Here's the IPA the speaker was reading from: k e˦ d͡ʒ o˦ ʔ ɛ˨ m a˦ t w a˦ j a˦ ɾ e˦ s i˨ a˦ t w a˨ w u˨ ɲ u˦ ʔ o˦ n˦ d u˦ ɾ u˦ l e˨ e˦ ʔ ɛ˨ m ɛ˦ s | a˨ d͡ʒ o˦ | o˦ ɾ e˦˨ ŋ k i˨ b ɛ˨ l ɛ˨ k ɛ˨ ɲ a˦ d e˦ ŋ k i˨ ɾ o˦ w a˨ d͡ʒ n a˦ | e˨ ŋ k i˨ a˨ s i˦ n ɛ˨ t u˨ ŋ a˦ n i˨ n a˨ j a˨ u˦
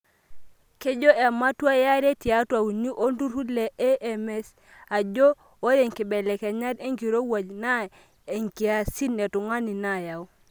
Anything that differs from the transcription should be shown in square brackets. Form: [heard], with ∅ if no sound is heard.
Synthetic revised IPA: k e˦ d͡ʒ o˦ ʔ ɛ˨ m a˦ t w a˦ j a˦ ɾ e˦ [t] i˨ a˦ t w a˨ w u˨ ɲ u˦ ʔ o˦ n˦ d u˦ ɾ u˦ l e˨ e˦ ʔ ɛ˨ m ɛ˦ s | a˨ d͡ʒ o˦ | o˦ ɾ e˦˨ ŋ k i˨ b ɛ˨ l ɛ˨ k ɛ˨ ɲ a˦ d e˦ ŋ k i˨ ɾ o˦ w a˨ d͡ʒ n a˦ | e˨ ŋ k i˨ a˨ s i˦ n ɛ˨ t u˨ ŋ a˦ n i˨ n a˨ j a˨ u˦